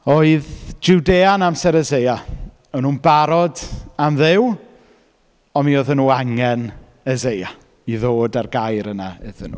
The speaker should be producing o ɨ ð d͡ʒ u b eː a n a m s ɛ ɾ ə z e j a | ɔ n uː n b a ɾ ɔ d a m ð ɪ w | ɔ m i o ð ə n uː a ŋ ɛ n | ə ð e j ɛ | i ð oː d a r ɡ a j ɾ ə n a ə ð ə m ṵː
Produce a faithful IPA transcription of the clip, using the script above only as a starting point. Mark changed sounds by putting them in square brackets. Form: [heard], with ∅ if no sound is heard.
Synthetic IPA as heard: o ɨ ð d͡ʒ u [d] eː a n a m s ɛ ɾ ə z e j a | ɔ n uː n b a ɾ ɔ d a m ð ɪ w | ɔ m i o ð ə n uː a ŋ ɛ n | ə [z] e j [a] | i ð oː d a r ɡ a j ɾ ə n a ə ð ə [n] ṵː